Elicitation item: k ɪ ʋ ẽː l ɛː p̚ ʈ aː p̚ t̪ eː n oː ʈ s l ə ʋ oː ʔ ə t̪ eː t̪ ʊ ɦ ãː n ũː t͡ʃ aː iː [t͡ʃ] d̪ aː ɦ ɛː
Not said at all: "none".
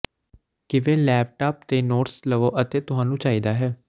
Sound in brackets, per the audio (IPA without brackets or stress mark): none